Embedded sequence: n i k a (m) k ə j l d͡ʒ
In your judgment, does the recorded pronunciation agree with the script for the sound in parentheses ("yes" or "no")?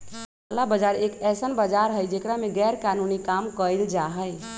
yes